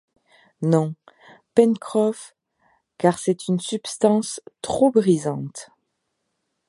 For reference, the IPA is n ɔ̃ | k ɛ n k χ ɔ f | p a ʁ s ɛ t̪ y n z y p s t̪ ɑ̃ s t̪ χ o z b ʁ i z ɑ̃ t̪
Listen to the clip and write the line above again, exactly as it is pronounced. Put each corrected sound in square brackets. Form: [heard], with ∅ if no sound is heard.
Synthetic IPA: n ɔ̃ | [p] ɛ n k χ ɔ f | [k] a ʁ s ɛ t̪ y n [s] y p s t̪ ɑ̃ s t̪ χ o [∅] b ʁ i z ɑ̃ t̪